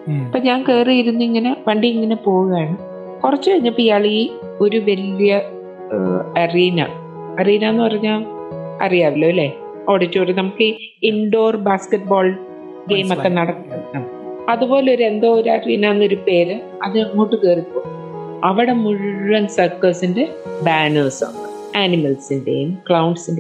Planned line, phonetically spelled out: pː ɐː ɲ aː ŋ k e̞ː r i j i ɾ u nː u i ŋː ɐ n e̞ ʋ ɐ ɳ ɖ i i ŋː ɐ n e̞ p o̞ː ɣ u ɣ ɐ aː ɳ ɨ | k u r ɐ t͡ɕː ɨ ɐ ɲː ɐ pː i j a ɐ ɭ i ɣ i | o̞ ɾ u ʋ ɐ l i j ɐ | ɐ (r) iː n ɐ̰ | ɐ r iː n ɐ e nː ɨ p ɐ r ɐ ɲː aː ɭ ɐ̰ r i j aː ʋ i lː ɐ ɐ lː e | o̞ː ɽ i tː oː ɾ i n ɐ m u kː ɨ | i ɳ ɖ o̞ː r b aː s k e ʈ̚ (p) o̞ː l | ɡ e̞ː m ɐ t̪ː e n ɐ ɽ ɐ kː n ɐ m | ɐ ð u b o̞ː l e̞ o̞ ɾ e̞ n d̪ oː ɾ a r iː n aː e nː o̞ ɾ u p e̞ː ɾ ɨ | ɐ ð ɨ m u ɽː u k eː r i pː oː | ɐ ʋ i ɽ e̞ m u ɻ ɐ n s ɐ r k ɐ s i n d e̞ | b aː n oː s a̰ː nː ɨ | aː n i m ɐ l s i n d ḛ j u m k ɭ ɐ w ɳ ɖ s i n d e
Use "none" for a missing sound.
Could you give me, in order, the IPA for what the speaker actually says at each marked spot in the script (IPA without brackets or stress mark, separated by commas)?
r, b